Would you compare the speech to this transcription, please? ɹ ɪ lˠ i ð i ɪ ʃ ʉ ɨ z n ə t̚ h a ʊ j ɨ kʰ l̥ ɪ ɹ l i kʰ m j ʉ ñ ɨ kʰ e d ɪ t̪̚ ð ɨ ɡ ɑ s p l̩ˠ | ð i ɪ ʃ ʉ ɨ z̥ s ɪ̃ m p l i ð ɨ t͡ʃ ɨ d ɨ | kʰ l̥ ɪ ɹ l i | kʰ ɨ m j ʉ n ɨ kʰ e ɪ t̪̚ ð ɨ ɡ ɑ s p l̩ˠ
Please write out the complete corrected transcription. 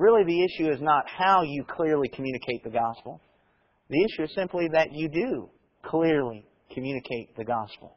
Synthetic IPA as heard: ɹ ɪ lˠ i ð i ɪ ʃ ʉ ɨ z n ə t̚ h a ʊ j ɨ kʰ l̥ ɪ ɹ l i kʰ m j ʉ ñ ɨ kʰ e ɪ t̪̚ ð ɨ ɡ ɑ s p l̩ˠ | ð i ɪ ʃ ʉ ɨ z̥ s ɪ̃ m p l i ð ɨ t͡ʃ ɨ d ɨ | kʰ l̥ ɪ ɹ l i | kʰ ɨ m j ʉ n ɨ kʰ e ɪ t̪̚ ð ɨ ɡ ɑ s p l̩ˠ